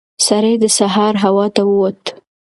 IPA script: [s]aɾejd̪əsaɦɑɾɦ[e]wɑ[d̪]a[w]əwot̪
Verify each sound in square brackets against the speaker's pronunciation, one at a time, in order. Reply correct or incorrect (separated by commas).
correct, incorrect, incorrect, correct